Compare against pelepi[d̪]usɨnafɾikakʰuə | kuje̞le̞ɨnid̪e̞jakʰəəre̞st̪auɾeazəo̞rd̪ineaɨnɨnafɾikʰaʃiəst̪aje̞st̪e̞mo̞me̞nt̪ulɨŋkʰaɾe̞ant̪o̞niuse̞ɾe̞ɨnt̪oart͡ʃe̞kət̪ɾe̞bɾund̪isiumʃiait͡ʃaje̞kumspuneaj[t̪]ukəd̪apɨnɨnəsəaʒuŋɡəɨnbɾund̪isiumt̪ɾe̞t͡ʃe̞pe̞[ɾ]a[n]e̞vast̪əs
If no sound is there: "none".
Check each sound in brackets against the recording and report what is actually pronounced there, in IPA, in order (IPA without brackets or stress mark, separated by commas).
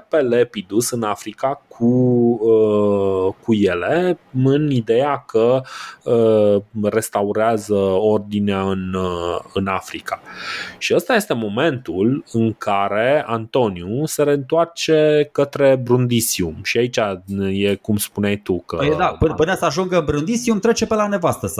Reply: d̪, t̪, l, n